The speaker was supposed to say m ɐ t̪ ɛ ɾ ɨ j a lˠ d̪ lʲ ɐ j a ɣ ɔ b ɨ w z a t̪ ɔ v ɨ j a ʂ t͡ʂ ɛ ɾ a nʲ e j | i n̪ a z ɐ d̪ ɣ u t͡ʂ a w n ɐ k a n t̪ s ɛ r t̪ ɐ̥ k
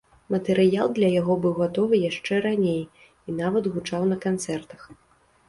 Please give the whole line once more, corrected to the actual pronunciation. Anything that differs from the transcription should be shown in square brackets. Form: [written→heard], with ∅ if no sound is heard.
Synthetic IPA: m ɐ t̪ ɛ ɾ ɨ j a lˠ d̪ lʲ ɐ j a ɣ ɔ b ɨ w [z→ɣ] a t̪ ɔ v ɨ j a ʂ t͡ʂ ɛ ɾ a nʲ e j | i n̪ a [z→v] ɐ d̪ ɣ u t͡ʂ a w n ɐ k a n t̪ s ɛ r t̪ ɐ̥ [k→x]